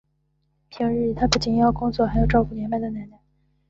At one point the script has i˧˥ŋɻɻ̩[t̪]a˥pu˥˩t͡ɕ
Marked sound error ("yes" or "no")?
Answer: yes